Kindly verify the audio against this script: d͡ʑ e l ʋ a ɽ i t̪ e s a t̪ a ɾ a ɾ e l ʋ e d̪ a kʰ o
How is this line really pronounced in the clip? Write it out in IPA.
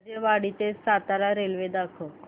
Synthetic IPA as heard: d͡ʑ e ʋ a ɽ i t̪ e s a t̪ a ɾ a ɾ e l ʋ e d̪ a kʰ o